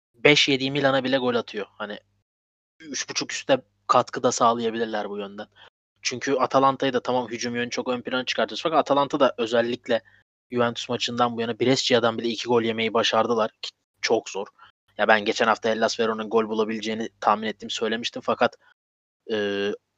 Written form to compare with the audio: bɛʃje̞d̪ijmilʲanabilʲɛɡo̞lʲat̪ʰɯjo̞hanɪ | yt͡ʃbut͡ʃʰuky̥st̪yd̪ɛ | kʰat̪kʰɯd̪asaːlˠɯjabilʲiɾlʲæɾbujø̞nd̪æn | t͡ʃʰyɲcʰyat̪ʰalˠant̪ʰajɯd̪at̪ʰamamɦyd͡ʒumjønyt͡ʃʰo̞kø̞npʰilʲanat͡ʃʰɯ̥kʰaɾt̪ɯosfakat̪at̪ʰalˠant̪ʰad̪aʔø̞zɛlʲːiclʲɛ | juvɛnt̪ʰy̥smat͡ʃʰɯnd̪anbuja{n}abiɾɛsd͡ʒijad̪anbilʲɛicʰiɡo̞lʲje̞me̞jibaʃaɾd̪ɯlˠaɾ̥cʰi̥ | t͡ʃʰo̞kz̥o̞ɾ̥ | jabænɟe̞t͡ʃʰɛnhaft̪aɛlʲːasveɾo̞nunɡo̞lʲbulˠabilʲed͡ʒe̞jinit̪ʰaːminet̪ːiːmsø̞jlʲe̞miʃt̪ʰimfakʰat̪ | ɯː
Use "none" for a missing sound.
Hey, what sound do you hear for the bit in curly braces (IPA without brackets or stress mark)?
n